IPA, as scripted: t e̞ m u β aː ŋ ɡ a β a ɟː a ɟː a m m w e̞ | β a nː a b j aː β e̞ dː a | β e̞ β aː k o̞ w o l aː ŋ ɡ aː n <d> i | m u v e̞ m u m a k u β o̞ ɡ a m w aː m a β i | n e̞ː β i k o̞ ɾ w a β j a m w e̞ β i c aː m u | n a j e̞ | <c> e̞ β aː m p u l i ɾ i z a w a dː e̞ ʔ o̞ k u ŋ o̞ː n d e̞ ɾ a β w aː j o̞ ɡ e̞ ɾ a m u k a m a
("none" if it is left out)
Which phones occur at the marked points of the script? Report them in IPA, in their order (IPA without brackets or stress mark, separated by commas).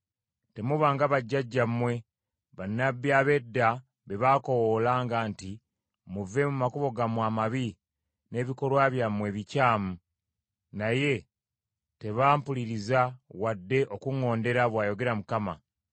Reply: t, t